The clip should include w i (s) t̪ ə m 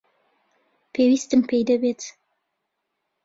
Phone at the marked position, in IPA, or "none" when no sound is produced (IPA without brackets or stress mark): s